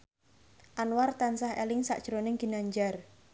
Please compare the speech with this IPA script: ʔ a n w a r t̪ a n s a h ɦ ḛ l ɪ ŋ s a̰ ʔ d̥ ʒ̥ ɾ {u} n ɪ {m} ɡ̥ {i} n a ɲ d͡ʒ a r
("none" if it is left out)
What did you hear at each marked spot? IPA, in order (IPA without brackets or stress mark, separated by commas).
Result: o, ŋ, i